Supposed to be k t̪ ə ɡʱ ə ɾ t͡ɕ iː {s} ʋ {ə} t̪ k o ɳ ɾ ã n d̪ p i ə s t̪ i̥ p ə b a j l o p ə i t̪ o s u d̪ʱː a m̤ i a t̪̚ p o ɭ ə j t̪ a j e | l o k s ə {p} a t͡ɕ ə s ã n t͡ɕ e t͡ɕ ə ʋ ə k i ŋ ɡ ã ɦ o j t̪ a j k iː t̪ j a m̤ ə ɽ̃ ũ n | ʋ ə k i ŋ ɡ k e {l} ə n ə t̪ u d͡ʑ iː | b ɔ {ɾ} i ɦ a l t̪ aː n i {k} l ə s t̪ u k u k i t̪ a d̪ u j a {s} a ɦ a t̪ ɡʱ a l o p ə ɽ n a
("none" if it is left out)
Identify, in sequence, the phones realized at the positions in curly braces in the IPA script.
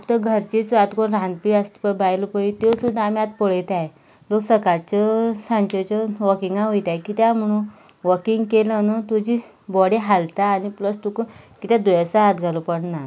t͡s, a, k, l, ɽ, p, s

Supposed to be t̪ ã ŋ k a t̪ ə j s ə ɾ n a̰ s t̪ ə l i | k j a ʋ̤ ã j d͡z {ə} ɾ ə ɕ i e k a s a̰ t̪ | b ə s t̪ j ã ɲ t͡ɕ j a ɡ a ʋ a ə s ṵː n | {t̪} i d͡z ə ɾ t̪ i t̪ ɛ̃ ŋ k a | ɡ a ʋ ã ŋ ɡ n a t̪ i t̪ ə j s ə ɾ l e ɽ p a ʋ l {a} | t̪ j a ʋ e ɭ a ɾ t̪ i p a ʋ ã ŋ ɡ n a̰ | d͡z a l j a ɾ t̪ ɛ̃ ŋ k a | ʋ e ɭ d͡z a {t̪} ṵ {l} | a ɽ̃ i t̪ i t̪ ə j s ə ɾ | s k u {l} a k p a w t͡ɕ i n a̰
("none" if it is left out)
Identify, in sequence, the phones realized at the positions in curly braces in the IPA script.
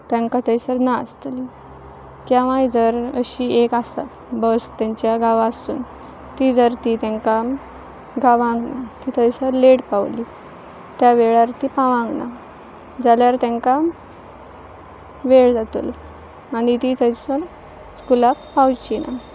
ə, t̪, i, t̪, l, l

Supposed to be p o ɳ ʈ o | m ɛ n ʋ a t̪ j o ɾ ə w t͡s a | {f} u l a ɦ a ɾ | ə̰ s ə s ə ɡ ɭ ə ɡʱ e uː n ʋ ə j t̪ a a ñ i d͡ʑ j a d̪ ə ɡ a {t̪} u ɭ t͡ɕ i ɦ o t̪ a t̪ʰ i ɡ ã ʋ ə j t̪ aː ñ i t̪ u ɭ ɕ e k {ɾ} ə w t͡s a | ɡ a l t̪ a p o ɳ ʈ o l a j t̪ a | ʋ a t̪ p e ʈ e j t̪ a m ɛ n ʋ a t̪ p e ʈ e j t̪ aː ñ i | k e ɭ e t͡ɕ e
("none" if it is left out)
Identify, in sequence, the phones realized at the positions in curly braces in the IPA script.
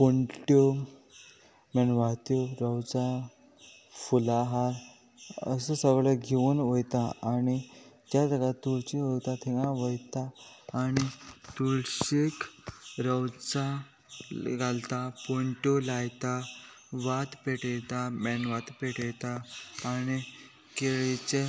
f, t̪, ɾ

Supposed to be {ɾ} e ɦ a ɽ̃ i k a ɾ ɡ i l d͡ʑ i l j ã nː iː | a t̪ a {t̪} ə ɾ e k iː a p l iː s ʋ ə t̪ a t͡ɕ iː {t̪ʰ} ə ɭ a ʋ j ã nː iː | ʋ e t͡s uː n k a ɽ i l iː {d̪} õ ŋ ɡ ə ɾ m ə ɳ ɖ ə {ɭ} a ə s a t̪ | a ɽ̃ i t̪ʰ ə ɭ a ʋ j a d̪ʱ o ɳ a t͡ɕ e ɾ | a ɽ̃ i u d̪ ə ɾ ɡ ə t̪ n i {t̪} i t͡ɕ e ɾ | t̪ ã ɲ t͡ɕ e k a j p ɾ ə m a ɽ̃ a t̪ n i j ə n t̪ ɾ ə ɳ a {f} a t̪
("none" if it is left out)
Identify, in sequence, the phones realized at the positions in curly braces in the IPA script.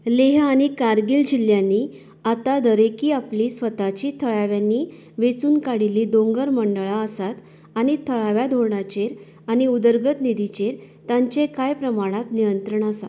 l, d̪, t̪ʰ, d̪, ɭ, d̪, s

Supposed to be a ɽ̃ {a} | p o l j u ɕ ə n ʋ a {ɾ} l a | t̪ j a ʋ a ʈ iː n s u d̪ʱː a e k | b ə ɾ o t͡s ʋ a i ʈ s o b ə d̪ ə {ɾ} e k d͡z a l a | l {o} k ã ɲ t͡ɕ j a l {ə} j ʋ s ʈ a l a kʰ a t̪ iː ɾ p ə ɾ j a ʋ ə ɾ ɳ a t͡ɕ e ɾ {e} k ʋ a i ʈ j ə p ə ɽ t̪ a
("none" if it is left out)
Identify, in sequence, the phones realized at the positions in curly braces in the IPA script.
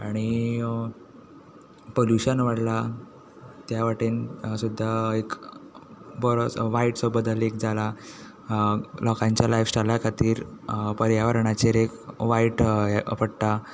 i, ɽ, l, ɔ, a, e

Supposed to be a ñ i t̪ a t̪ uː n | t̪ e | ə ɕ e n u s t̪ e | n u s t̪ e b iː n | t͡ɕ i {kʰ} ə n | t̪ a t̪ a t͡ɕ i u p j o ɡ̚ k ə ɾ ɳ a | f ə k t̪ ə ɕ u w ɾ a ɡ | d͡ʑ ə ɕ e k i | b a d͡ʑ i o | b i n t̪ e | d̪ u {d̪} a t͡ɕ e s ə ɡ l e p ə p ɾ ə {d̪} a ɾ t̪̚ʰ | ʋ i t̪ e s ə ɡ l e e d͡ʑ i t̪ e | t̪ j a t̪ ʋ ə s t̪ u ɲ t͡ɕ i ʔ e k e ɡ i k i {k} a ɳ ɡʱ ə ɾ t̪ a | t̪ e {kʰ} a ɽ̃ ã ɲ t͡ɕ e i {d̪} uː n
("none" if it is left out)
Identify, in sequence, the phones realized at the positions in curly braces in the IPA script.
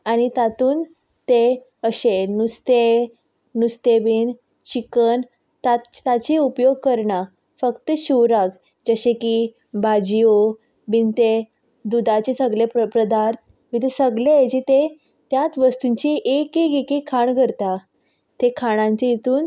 k, d̪, d̪, kʰ, kʰ, t̪

